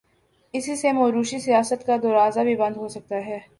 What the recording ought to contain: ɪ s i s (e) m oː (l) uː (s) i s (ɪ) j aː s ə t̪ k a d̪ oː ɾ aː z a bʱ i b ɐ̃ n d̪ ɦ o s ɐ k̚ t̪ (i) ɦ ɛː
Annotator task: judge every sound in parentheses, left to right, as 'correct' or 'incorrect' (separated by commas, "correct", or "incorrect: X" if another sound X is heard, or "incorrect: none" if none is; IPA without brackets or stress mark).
correct, incorrect: ɾ, incorrect: ʃ, incorrect: i, incorrect: a